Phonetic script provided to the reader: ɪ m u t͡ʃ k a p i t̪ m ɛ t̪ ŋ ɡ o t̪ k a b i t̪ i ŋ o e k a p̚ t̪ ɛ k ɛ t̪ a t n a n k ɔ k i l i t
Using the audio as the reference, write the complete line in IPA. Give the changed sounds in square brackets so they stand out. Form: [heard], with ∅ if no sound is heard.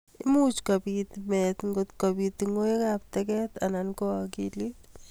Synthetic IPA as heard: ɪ m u t͡ʃ k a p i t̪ m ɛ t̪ ŋ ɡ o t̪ k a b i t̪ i ŋ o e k a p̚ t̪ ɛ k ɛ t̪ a [∅] n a n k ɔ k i l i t